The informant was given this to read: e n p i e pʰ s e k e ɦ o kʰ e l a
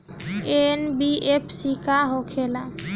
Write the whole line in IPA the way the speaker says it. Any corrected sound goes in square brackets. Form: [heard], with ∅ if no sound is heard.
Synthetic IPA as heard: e n [b] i e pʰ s [i] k [a] ɦ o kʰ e l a